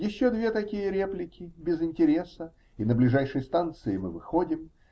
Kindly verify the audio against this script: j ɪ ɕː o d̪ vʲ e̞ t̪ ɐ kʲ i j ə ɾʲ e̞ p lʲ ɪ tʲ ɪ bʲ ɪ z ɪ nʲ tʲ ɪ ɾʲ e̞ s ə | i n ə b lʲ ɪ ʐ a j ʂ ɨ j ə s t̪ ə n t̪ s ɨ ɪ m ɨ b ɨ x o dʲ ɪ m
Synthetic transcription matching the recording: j ɪ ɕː o d̪ vʲ e̞ t̪ ɐ kʲ i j ə ɾʲ e̞ p lʲ ɪ kʲ ɪ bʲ ɪ z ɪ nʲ tʲ ɪ ɾʲ e̞ s ə | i n ə b lʲ ɪ ʐ a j ʂ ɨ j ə s t̪ a n t̪ s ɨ ɪ m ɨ v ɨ x o dʲ ɪ m